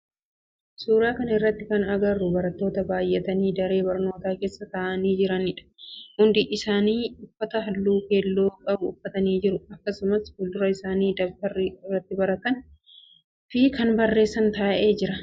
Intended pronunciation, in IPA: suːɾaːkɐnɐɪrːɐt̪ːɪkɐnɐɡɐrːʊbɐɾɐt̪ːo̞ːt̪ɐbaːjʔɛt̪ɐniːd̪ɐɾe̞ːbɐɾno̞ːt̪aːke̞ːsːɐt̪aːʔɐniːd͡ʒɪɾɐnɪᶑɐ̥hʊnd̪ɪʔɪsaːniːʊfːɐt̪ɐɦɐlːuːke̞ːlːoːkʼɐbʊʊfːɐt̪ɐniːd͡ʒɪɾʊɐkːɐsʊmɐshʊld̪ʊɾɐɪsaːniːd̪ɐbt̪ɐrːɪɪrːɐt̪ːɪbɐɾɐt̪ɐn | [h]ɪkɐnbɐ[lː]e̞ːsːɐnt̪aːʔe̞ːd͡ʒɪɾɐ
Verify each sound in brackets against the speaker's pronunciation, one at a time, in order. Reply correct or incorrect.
incorrect, incorrect

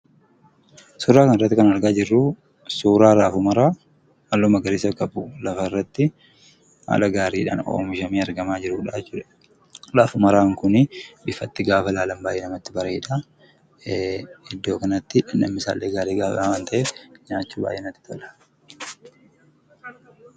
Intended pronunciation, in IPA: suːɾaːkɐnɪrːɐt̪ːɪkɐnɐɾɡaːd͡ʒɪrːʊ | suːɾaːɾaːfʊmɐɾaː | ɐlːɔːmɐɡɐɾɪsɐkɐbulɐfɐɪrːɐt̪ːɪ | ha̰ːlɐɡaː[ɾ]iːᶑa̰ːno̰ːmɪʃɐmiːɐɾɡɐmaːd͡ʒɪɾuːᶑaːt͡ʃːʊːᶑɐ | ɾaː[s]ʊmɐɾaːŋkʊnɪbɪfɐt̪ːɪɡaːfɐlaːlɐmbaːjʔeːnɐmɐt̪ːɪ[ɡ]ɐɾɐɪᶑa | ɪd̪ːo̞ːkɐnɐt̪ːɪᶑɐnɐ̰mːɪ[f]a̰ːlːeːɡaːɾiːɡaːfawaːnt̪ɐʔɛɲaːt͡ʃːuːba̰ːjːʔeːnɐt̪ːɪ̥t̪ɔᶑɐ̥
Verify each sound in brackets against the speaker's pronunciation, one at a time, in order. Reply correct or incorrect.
correct, incorrect, incorrect, incorrect

